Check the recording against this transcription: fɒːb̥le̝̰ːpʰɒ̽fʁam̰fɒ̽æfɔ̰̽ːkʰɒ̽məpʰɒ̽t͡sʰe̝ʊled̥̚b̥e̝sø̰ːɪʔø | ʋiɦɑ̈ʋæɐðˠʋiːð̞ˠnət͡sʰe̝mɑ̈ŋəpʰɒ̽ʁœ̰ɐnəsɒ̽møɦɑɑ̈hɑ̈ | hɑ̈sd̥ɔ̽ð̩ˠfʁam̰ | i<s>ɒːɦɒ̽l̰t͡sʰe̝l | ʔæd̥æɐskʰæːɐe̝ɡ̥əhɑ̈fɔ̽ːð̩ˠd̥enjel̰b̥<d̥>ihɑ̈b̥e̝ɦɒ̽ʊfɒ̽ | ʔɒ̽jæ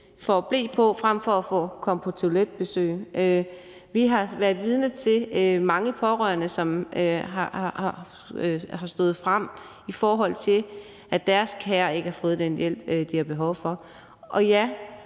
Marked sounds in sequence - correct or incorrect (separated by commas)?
incorrect, correct